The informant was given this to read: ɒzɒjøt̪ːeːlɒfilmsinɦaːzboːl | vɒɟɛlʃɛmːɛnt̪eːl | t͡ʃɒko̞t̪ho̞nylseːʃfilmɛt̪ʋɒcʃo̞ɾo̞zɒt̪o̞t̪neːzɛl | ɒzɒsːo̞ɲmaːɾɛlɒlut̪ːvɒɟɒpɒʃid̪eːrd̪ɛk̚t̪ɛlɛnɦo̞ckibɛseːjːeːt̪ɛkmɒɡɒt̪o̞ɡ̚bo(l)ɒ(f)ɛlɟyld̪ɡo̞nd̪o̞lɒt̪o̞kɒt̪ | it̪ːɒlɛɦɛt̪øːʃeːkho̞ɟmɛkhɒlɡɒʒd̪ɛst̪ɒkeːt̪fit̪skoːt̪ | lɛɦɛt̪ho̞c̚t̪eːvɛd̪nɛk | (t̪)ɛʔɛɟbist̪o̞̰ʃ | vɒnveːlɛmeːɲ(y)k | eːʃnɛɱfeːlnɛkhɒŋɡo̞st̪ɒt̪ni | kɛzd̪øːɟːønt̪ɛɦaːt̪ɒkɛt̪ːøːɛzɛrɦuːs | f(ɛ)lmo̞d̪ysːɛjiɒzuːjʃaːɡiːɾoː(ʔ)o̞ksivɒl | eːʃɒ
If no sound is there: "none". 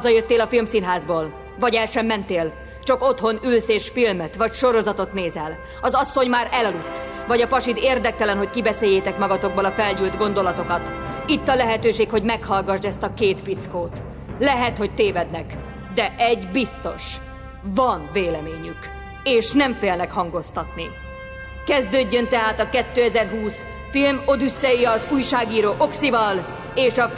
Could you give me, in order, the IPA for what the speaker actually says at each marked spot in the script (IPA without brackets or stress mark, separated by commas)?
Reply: l, f, d̪, y, i, ʔ